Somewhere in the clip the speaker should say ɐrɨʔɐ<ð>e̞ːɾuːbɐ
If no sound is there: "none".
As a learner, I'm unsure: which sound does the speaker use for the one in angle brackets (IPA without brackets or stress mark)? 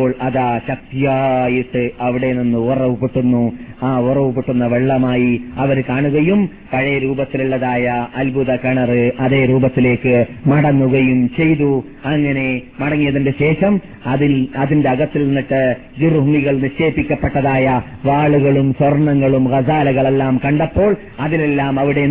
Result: ð